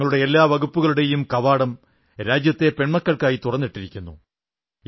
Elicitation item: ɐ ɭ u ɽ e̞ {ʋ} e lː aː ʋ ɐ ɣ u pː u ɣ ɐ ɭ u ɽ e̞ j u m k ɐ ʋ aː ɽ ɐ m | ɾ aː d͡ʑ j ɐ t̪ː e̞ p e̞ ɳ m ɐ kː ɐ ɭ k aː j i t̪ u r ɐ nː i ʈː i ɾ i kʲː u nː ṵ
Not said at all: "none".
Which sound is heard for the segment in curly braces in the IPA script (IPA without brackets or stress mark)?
none